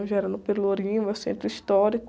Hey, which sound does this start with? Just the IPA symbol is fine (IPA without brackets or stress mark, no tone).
ʒ